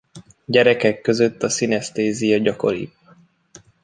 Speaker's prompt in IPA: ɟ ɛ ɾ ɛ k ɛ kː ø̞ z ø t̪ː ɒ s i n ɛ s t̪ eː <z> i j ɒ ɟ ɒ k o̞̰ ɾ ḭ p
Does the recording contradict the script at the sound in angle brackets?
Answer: no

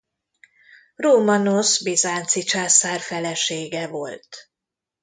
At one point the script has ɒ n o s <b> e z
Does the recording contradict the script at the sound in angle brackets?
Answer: no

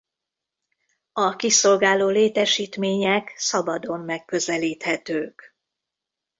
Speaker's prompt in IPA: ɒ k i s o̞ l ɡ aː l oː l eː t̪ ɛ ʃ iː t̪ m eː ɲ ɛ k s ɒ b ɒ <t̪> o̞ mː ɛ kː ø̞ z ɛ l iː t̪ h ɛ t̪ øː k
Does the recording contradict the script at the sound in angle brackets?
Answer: yes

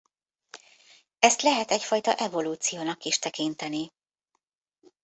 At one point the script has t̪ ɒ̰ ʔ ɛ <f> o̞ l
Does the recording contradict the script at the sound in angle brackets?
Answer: yes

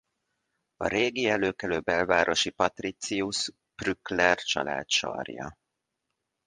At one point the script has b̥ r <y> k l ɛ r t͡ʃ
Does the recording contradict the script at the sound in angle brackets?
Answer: no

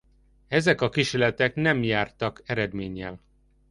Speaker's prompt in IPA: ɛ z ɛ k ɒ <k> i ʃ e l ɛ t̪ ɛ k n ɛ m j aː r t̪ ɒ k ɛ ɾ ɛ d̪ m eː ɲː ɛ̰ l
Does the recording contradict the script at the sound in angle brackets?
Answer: no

